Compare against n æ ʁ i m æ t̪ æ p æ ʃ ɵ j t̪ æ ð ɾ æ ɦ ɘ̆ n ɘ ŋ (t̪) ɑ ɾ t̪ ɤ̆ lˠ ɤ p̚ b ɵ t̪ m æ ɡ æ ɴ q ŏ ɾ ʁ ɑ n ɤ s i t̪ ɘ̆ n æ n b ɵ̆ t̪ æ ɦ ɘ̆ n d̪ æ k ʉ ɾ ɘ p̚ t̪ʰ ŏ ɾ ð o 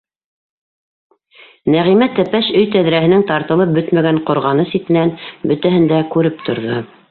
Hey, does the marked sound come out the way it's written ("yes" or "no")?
yes